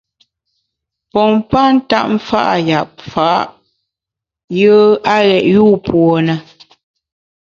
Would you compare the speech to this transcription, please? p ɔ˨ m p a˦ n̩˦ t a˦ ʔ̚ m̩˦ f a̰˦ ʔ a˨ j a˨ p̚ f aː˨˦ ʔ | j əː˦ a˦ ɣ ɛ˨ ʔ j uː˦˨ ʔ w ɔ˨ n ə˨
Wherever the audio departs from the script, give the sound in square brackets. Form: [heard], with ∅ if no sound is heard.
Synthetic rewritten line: p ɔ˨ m p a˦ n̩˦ t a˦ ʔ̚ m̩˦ f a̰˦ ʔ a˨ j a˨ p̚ f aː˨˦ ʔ | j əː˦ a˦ ɣ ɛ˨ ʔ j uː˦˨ [p] w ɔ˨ n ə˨

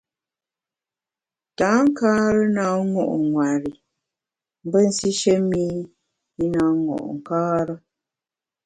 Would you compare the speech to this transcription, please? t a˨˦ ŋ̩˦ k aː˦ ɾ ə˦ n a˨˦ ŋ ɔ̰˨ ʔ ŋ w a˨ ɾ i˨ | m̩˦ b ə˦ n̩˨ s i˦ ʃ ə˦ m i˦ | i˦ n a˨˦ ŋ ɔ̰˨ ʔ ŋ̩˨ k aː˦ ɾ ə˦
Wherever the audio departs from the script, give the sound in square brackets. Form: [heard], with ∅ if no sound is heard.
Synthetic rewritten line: t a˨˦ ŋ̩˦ k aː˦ ɾ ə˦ n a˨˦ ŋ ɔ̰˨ ʔ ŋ w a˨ ɾ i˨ | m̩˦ b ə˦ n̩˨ s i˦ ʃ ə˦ m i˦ | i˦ n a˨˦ ŋ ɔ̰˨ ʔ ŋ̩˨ k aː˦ ɾ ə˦

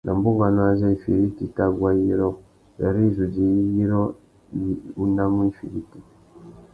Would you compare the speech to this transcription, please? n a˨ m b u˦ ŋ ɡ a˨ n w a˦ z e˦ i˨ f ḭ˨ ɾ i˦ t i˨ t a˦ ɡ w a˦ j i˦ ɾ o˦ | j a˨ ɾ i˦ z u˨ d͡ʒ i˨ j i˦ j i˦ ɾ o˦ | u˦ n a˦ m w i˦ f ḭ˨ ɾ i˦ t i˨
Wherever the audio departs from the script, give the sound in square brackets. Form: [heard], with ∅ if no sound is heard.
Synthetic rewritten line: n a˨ m b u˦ ŋ ɡ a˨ n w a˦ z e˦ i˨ f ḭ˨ ɾ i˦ t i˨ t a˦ ɡ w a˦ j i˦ ɾ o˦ | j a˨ ɾ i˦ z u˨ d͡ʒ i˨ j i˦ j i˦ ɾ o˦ | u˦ n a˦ m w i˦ f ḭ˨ ɾ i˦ t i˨

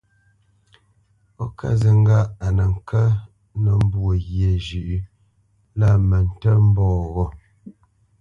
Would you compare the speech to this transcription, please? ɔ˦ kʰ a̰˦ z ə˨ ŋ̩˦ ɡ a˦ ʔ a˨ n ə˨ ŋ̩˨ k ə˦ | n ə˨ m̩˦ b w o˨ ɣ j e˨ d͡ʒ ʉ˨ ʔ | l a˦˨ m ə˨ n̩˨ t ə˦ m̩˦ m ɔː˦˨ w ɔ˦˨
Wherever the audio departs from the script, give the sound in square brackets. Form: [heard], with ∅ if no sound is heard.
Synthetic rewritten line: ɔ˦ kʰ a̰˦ z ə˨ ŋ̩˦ ɡ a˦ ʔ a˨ n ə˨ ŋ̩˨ k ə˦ | n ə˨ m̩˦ b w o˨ ɣ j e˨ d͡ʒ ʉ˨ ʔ | l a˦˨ m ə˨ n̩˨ t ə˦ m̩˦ [b] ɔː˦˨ [ɣ] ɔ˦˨

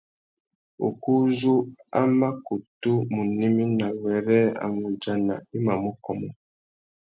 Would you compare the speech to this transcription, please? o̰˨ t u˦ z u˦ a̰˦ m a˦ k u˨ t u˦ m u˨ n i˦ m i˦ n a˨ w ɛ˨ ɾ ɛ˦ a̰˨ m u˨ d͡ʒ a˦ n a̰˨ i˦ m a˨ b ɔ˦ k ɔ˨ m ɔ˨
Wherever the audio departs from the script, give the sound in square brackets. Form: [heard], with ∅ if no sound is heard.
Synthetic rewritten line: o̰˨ [k] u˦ z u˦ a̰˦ m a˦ k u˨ t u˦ m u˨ n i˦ m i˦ n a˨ w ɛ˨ ɾ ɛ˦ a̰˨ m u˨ d͡ʒ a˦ n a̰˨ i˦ m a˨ [m] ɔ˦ k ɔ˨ m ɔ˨

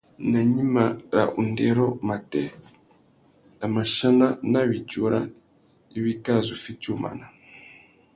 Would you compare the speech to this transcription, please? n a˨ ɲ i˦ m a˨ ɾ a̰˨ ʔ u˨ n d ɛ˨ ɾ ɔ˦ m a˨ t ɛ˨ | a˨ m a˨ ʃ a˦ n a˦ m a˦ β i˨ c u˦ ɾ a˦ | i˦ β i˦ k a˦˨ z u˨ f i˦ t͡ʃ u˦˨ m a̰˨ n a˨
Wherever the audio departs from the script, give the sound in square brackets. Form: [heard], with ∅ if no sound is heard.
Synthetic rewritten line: n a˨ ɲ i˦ m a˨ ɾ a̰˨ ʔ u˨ n d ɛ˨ ɾ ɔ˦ m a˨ t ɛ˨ | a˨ m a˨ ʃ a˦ n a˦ [n] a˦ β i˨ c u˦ ɾ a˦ | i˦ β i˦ k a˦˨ z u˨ f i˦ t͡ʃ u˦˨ m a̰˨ n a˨

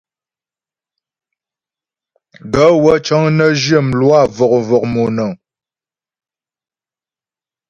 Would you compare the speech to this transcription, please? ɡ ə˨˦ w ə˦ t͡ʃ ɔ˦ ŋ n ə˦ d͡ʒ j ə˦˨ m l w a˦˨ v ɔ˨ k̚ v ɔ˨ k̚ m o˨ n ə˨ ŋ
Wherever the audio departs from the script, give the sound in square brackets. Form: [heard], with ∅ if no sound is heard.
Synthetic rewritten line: ɡ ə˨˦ w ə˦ t͡ʃ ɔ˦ ŋ n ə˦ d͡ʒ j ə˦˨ m l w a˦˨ v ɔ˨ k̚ v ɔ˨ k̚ m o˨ n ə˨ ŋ

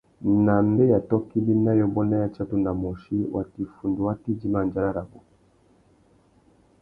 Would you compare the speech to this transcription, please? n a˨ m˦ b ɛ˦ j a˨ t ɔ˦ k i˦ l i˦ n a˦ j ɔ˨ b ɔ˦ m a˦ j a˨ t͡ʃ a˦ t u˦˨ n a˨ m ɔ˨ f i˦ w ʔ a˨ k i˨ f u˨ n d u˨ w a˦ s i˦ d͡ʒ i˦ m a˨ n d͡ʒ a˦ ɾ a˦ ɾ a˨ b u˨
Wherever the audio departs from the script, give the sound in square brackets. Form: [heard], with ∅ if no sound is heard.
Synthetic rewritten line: n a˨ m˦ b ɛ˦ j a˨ t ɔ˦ k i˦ l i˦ n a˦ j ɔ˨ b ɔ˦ [n] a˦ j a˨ t͡ʃ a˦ t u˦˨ n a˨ m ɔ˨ [ʃ] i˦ w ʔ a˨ [t] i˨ f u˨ n d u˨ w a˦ [t] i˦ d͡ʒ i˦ m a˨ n d͡ʒ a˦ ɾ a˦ ɾ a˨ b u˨

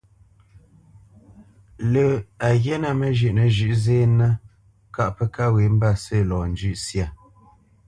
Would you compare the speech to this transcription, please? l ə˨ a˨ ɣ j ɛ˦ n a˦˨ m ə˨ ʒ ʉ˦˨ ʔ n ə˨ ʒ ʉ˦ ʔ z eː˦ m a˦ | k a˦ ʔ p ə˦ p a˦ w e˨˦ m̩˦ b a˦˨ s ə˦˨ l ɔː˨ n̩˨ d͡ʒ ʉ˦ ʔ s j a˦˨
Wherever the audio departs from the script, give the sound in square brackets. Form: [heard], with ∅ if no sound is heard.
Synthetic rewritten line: l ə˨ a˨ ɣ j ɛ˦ n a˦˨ m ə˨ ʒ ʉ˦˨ ʔ n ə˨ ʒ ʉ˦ ʔ z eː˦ [n] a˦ | k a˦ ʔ p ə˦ [k] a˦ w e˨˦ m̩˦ b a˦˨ s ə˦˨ l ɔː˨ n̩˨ d͡ʒ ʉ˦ ʔ s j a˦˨

